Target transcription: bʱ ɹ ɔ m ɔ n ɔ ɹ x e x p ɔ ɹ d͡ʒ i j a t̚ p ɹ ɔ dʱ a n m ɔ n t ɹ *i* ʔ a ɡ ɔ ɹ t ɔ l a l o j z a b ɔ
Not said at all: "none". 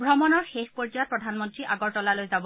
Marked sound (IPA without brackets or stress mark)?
i